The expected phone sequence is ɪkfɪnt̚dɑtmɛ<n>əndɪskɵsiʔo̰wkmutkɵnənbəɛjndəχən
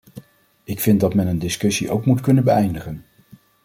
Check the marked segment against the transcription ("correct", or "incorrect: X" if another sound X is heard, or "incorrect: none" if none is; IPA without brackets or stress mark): correct